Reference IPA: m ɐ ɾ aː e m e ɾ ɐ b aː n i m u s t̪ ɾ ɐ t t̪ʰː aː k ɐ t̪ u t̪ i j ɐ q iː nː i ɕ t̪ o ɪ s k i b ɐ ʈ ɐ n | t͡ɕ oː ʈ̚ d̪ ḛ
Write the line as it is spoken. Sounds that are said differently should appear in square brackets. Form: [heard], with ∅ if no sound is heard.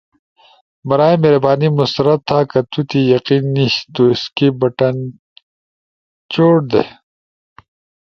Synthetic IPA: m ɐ ɾ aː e m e ɾ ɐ b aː n i m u s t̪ ɾ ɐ t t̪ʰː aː k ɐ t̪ u t̪ i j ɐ q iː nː i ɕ t̪ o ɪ s k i b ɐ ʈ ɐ n | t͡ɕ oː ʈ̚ d̪ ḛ